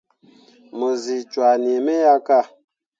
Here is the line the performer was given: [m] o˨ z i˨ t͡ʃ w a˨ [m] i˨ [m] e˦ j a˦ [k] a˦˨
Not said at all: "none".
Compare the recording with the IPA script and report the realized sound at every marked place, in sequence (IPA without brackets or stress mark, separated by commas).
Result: m, n, m, k